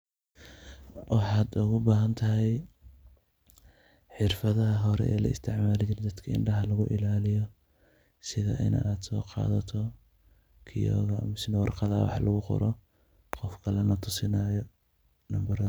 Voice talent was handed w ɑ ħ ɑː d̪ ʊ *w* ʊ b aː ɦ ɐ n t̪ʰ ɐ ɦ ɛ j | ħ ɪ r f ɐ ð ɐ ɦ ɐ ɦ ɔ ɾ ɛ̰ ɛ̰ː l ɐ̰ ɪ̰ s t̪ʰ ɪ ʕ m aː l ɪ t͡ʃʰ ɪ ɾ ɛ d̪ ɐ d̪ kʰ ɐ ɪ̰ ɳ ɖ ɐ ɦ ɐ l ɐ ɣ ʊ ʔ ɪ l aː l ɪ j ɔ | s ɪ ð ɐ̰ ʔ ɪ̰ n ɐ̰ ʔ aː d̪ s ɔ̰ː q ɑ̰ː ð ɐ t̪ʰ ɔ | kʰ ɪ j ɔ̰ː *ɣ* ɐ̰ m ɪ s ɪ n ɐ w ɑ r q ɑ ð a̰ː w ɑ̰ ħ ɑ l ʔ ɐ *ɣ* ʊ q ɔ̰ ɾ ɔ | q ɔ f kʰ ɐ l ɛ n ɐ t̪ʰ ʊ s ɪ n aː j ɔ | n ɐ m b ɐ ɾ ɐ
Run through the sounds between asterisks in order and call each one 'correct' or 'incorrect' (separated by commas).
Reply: incorrect, correct, correct